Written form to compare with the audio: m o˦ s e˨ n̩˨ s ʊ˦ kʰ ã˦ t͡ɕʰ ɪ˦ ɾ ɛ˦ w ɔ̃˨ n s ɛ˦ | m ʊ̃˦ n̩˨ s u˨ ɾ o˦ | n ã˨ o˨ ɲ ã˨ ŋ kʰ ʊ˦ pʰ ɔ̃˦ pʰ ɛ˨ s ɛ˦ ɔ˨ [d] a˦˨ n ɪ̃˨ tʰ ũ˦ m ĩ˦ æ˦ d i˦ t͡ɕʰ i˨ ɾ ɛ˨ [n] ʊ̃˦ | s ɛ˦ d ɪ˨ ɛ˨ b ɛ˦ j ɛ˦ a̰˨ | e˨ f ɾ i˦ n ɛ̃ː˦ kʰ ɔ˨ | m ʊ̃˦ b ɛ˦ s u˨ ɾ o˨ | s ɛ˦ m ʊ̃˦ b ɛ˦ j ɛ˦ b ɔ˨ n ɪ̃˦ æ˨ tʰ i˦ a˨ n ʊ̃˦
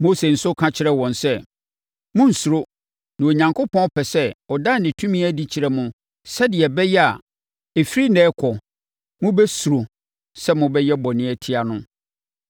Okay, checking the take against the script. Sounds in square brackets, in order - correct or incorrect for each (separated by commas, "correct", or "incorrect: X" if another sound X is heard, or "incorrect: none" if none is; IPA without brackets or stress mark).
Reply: correct, incorrect: m